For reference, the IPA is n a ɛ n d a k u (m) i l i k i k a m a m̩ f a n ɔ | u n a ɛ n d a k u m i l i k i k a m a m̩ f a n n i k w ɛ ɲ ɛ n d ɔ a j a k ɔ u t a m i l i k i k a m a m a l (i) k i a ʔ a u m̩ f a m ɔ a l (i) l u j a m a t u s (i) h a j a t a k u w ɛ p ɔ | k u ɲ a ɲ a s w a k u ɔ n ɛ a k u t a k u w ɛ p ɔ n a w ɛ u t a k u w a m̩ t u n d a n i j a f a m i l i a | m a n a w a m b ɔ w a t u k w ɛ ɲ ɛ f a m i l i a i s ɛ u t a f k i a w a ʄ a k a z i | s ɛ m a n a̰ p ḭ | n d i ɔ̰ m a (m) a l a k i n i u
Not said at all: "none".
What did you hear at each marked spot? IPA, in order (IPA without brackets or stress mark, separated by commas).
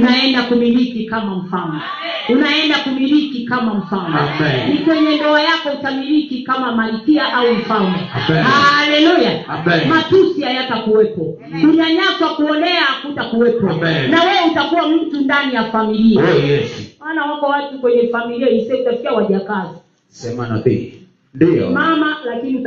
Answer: m, i, ɛ, i, m